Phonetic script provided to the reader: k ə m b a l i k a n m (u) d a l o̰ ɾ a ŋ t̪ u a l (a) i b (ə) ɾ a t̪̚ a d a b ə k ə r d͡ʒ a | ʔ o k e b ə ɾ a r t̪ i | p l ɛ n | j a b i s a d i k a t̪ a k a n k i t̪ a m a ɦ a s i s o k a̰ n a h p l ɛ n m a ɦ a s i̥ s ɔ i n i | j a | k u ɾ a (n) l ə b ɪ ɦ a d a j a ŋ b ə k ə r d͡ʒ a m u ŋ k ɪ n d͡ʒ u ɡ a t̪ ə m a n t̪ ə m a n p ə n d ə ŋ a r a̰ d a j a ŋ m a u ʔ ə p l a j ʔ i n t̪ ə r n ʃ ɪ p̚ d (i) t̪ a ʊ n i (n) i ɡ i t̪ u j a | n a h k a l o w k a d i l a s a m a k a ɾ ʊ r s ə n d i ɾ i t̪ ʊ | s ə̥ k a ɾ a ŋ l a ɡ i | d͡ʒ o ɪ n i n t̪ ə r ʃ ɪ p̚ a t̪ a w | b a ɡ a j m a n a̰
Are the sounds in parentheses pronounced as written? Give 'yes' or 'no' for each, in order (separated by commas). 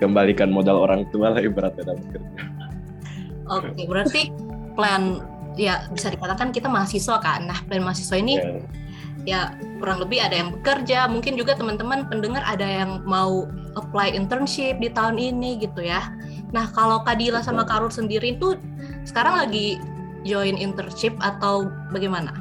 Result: no, yes, yes, no, yes, yes